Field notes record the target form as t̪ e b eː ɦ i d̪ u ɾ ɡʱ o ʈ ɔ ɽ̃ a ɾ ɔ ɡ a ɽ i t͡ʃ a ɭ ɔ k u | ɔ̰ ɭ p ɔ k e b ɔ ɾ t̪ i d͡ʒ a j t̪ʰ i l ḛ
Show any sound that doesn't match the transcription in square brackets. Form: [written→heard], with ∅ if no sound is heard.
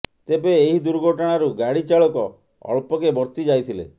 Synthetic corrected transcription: t̪ e b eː ɦ i d̪ u ɾ ɡʱ o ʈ ɔ ɽ̃ a ɾ [ɔ→u] ɡ a ɽ i t͡ʃ a ɭ ɔ k [u→ɔ] | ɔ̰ ɭ p ɔ k e b ɔ ɾ t̪ i d͡ʒ a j t̪ʰ i l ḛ